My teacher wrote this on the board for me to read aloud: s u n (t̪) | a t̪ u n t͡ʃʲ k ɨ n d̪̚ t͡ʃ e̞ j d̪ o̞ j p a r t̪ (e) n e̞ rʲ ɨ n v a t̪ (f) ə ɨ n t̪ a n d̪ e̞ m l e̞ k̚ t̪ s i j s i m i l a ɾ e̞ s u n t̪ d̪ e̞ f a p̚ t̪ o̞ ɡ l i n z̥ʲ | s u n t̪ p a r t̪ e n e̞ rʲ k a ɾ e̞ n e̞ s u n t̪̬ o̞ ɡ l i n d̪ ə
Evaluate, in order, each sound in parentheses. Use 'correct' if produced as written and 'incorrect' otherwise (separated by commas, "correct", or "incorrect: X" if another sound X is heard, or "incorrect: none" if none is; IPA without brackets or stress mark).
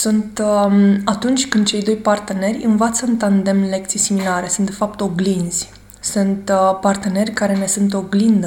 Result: correct, correct, incorrect: s